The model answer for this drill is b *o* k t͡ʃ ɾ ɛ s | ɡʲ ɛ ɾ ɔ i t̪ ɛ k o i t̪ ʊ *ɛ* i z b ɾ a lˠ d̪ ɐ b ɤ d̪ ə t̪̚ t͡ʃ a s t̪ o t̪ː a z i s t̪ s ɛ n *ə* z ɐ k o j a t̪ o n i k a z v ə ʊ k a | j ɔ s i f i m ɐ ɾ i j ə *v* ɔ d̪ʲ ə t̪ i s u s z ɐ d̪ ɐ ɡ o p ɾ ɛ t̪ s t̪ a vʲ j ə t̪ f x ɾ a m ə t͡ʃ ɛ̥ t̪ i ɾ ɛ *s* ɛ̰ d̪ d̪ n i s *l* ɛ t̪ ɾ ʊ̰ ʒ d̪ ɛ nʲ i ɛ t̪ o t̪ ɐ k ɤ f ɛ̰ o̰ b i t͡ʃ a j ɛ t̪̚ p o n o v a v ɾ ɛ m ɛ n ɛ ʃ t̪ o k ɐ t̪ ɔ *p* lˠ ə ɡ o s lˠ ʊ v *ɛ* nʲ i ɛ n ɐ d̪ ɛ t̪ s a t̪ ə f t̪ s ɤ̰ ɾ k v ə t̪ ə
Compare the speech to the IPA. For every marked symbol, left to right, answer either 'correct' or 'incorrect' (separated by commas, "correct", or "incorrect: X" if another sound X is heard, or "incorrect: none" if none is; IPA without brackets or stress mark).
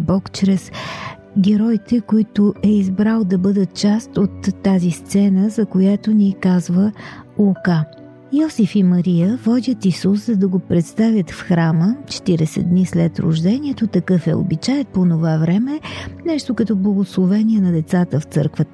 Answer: incorrect: ɔ, correct, correct, correct, correct, correct, incorrect: b, correct